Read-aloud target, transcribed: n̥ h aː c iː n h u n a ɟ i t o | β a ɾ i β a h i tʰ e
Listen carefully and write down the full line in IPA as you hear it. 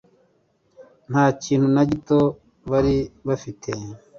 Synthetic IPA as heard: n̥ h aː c iː n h u n a ɟ i t o | β a ɾ i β a f i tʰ e